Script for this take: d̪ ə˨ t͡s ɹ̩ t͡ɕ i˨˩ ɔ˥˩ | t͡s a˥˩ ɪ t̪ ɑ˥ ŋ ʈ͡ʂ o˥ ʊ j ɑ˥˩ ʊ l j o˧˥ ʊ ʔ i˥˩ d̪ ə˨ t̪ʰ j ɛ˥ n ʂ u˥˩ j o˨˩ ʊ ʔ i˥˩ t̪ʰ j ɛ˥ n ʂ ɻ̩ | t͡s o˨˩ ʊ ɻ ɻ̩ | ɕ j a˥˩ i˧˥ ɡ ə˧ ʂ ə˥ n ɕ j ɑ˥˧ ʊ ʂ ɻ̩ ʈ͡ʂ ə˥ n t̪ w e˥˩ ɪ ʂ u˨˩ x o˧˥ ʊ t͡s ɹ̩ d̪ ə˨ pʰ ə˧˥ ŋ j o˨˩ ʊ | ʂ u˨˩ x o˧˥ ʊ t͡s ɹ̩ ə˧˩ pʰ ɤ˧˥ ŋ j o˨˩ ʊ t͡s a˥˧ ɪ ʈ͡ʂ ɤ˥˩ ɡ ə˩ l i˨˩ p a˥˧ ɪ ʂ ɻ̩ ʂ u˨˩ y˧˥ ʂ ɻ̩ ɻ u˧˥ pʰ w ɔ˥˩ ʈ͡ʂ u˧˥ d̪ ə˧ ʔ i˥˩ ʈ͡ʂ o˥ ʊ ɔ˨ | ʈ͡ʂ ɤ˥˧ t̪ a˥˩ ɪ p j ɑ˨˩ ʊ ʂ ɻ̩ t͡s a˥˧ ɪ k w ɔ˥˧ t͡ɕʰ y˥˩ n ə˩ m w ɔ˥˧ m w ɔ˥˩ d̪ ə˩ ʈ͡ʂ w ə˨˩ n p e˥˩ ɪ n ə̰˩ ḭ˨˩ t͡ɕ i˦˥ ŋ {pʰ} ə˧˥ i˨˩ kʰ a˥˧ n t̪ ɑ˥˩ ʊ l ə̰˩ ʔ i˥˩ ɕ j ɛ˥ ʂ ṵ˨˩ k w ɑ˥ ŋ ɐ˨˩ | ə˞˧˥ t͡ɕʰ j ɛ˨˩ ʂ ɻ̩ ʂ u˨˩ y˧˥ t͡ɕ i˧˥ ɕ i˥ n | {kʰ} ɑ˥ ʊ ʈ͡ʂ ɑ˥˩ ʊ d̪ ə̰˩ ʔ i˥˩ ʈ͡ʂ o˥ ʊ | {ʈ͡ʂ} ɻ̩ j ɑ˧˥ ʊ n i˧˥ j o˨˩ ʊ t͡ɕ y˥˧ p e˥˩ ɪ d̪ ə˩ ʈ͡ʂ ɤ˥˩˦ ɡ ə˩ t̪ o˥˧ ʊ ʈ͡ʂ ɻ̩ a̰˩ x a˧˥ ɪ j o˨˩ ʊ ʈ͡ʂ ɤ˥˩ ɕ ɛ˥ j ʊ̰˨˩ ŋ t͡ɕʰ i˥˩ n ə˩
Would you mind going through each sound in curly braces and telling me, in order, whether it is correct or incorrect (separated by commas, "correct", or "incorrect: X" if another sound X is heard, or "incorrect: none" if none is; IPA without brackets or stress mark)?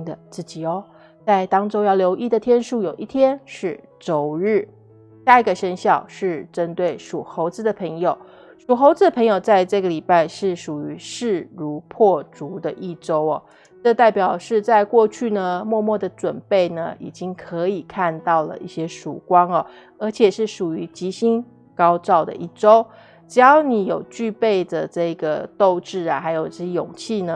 incorrect: kʰ, incorrect: k, correct